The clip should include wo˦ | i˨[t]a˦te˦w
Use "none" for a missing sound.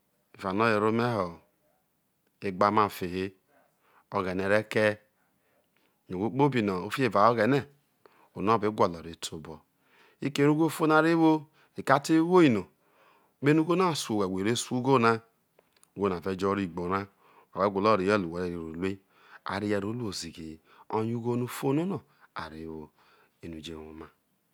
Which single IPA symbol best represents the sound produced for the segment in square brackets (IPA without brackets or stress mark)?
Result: k